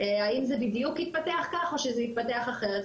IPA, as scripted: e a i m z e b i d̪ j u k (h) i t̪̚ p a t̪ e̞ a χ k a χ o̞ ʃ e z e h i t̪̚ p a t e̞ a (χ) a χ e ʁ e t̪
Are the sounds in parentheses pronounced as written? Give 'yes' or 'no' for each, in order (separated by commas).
yes, yes